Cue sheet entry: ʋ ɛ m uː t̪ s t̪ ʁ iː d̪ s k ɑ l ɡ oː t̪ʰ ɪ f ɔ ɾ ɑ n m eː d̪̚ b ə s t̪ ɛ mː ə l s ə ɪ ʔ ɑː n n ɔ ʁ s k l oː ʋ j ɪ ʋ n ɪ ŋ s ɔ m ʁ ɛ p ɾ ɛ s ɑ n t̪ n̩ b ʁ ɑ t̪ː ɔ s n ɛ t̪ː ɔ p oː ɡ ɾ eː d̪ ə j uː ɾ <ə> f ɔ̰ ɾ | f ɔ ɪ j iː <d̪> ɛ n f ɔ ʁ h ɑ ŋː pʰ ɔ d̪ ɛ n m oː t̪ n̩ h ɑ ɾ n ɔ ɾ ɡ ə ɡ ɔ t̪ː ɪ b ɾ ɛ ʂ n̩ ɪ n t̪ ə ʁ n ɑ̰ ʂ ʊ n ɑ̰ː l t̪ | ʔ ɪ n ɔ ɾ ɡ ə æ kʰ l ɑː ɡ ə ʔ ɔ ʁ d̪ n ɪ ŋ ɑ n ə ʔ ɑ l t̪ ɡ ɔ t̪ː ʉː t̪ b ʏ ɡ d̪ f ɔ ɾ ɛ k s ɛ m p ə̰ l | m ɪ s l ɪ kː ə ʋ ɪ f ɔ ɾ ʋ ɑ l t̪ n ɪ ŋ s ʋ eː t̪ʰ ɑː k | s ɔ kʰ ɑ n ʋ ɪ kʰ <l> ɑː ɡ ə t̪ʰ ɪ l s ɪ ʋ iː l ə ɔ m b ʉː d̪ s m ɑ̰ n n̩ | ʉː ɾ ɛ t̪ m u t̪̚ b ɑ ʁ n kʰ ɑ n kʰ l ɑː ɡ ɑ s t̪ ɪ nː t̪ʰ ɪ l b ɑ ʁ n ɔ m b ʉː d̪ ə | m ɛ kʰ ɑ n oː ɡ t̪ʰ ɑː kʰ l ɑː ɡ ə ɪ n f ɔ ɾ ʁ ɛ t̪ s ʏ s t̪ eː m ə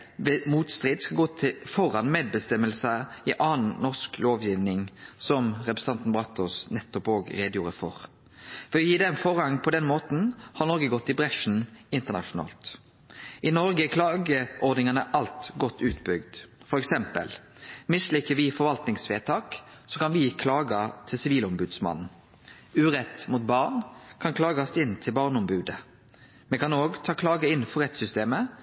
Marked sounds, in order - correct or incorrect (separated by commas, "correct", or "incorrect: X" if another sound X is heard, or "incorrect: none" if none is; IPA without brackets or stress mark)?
correct, correct, correct